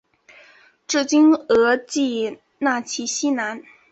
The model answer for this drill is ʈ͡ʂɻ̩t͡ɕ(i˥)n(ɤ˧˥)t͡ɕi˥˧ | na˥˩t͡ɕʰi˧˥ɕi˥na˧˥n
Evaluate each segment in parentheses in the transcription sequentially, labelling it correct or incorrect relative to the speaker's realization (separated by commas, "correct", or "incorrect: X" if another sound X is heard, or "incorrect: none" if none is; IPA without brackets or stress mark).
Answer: correct, correct